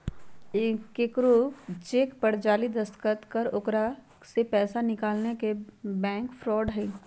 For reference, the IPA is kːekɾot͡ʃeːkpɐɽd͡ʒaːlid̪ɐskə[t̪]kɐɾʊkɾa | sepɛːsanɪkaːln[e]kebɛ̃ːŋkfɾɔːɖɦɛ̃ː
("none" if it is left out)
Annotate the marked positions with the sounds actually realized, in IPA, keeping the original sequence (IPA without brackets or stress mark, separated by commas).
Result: t̪, e